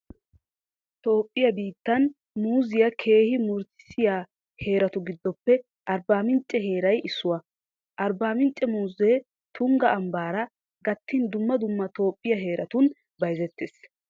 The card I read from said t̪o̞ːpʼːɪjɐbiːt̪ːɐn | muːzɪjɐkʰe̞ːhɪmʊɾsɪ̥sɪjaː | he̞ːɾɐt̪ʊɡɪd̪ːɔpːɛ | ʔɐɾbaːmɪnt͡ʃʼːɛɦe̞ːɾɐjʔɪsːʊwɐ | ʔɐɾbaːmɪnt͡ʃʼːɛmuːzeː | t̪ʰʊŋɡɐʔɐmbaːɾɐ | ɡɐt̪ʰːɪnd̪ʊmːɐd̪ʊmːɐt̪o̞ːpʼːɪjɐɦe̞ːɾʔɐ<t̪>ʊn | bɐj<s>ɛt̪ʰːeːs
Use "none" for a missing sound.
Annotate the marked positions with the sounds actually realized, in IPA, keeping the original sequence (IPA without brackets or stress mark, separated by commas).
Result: t̪, z